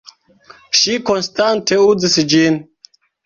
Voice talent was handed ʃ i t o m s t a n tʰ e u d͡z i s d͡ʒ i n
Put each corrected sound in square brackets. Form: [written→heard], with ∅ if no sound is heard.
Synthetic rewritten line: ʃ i [t→k] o [m→n] s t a n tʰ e u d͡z i s d͡ʒ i n